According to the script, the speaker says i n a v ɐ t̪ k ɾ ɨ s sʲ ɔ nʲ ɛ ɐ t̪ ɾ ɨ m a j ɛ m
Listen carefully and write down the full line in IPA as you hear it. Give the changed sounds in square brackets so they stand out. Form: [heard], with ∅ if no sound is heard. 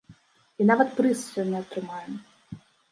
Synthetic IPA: i n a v ɐ t̪ [p] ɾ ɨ s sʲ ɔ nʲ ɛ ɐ t̪ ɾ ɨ m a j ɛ m

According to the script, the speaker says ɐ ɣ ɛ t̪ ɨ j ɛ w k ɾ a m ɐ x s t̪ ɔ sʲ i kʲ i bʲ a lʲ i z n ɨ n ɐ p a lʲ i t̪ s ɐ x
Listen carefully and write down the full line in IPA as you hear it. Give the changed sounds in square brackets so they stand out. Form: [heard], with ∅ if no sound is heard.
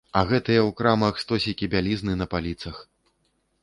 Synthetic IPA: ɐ ɣ ɛ t̪ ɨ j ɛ w k ɾ a m ɐ x s t̪ ɔ sʲ i kʲ i bʲ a lʲ i z n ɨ n ɐ p a lʲ i t̪ s ɐ x

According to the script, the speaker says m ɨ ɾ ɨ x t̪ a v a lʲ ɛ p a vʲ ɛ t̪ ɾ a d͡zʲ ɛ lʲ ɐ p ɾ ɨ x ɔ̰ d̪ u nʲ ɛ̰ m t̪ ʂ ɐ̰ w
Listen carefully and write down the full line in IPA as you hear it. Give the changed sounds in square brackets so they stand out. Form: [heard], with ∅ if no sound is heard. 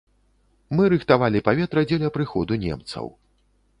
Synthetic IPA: m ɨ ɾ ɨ x t̪ a v a lʲ [i] p a vʲ ɛ t̪ ɾ [ɐ] d͡zʲ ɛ lʲ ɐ p ɾ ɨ x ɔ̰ d̪ u nʲ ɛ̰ m t̪ [s] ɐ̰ w

